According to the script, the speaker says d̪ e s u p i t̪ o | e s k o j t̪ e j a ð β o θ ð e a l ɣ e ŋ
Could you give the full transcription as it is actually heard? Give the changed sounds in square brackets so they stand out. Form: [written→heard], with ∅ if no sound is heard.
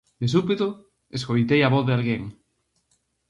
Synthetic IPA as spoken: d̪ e s u p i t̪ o | e s k o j t̪ e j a [ð→∅] β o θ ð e a l ɣ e ŋ